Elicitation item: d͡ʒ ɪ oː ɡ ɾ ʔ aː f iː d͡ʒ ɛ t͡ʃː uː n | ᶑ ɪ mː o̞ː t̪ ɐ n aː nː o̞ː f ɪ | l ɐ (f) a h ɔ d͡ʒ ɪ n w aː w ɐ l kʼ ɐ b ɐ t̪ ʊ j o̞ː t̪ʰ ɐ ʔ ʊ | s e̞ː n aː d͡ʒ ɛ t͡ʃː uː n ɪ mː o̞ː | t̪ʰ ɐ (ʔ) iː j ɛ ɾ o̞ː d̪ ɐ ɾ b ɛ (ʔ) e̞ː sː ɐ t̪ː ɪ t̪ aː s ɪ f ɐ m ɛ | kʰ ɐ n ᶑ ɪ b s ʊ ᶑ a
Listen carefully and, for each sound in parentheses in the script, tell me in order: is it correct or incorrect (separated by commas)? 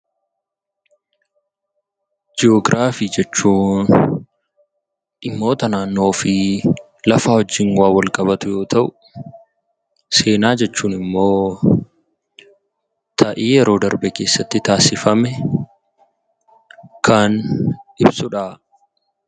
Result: correct, correct, incorrect